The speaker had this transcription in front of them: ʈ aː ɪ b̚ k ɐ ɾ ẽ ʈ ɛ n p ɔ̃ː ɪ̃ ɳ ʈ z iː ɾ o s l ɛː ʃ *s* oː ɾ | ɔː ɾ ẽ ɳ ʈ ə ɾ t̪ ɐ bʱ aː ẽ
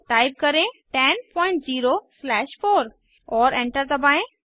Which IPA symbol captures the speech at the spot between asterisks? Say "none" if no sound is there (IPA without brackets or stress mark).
f